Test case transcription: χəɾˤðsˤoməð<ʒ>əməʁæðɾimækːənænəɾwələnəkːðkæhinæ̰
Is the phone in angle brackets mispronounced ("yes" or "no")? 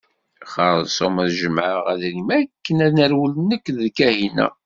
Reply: no